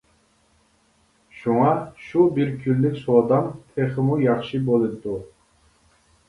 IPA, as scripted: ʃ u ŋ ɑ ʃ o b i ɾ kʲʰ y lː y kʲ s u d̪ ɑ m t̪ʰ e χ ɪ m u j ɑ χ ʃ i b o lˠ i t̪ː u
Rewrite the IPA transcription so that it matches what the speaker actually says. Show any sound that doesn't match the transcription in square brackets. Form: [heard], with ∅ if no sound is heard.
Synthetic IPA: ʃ u ŋ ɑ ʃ [u] b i ɾ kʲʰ y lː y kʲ s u d̪ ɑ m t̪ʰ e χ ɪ m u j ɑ χ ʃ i b o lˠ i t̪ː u